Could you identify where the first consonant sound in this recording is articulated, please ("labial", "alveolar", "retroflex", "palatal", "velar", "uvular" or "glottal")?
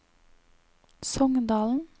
alveolar